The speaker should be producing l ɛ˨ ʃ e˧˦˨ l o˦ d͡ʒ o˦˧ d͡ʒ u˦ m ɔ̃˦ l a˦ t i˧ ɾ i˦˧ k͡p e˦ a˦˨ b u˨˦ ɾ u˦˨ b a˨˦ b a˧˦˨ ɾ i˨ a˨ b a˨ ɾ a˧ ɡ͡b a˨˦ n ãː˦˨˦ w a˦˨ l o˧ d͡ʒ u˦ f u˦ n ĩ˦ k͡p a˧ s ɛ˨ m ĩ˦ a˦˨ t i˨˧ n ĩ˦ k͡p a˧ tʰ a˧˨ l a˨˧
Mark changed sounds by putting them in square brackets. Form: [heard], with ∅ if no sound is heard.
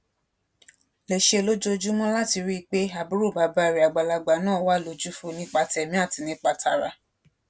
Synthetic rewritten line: l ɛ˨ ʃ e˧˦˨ l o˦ d͡ʒ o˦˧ d͡ʒ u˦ m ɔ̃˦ l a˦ t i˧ ɾ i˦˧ k͡p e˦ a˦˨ b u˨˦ ɾ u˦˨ b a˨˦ b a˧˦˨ ɾ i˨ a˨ [ɡ͡b] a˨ [l] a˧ ɡ͡b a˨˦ n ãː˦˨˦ w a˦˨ l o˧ d͡ʒ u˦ f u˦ n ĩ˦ k͡p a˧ [t] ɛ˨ m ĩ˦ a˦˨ t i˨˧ n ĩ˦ k͡p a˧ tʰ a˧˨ [ɾ] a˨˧